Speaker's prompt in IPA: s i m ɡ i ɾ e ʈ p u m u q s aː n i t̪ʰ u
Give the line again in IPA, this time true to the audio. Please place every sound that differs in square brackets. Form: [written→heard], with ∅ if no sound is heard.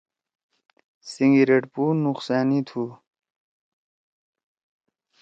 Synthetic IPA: s i [m→ŋ] ɡ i ɾ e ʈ p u [m→n] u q s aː n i t̪ʰ u